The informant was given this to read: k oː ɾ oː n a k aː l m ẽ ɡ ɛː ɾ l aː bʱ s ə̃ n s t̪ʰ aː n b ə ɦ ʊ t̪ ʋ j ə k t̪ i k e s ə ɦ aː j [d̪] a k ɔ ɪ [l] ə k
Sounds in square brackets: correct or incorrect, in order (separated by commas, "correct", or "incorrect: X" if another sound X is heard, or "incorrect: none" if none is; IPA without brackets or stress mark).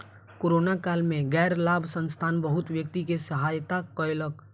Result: incorrect: t̪, correct